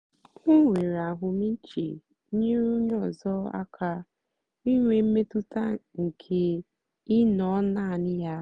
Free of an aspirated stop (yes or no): no